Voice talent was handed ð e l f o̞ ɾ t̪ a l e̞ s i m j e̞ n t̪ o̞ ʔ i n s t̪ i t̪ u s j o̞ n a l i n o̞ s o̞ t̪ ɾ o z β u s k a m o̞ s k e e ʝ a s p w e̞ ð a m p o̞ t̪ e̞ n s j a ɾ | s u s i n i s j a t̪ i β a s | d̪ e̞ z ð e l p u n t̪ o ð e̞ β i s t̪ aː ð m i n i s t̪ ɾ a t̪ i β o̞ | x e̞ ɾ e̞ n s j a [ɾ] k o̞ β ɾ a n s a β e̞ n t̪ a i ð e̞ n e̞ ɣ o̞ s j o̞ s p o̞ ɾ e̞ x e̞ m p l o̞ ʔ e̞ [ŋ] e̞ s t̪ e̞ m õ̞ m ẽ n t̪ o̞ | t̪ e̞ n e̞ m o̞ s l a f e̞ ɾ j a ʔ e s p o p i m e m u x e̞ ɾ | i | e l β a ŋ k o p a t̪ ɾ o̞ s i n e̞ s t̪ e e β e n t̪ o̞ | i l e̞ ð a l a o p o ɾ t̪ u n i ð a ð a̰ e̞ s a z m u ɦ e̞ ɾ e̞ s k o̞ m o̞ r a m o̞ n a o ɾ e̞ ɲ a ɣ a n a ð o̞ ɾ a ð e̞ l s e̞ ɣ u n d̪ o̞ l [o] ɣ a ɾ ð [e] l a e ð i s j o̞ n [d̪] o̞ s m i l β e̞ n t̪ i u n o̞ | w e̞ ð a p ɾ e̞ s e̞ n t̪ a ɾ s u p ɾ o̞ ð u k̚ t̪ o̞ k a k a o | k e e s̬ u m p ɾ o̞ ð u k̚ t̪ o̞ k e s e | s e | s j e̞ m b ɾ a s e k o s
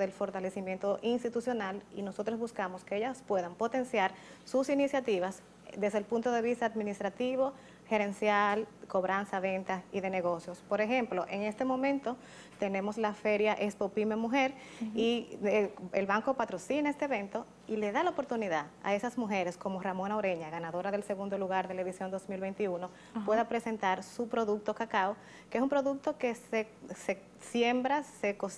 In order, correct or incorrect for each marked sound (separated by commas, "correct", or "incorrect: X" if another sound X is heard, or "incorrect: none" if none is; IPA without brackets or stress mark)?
incorrect: l, correct, incorrect: u, correct, correct